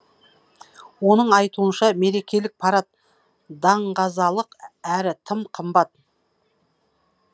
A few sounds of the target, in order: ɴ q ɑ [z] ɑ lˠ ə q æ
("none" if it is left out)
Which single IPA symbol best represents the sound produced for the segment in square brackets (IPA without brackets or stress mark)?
z